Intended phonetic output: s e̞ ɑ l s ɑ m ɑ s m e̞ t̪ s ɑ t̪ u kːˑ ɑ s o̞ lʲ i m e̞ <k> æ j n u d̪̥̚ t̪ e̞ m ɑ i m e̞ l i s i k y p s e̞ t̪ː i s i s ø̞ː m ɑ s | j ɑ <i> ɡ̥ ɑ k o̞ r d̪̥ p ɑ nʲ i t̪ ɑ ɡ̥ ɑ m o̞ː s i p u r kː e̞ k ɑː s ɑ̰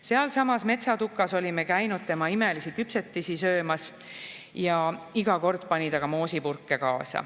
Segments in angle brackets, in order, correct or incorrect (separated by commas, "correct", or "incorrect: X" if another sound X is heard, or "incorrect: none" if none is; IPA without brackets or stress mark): correct, correct